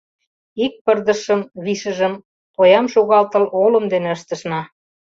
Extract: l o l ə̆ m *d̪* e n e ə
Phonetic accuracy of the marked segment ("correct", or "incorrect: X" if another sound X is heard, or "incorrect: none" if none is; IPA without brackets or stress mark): correct